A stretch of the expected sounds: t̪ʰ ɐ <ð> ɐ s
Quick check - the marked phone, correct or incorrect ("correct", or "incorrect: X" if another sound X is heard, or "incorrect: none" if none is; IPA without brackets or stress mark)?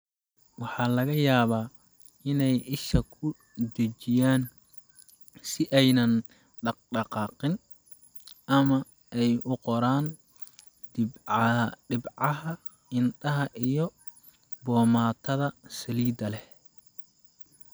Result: correct